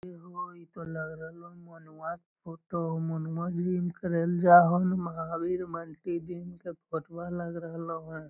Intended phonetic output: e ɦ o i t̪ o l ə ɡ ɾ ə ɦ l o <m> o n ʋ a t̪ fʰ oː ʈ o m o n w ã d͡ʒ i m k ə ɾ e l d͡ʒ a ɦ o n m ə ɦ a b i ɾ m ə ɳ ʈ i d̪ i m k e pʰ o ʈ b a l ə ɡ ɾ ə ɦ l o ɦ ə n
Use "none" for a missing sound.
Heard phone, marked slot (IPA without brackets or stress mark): m